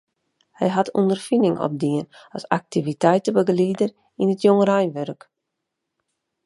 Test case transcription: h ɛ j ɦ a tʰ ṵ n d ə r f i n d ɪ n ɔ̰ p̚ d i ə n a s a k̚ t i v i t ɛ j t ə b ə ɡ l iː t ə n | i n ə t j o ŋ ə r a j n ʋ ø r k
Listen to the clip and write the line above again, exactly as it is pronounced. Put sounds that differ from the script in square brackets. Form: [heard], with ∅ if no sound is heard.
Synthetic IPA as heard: h ɛ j ɦ a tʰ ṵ n d ə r f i n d ɪ [ŋ] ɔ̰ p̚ d i ə n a s a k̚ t i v i t ɛ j t ə b ə ɡ l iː [d] ə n | i n ə t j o ŋ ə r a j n ʋ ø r k